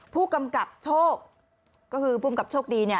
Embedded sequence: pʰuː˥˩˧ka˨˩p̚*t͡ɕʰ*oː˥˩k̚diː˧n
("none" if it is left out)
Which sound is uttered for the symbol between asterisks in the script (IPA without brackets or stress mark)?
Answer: t͡ɕʰ